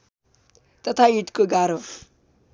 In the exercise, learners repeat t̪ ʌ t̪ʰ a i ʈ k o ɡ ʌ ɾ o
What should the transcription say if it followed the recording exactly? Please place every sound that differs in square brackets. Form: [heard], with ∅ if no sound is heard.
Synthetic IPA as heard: t̪ ʌ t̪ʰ a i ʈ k o ɡ [a] ɾ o